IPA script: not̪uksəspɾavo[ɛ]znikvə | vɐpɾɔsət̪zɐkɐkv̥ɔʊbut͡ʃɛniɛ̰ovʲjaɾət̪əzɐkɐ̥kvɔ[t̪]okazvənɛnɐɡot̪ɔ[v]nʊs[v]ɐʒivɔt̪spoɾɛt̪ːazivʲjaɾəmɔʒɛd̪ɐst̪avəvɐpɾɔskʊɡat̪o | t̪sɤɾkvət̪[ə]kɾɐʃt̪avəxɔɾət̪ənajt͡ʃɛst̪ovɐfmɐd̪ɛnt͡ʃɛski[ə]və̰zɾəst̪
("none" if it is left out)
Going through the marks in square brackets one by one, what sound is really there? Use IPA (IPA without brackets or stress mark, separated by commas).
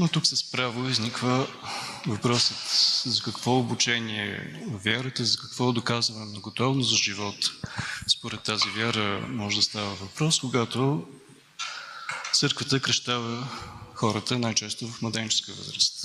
i, d̪, v, z, ə, ə